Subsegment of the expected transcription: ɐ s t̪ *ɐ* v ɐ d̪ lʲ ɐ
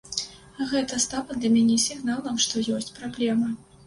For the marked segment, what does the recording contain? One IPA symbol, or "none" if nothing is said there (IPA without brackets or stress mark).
a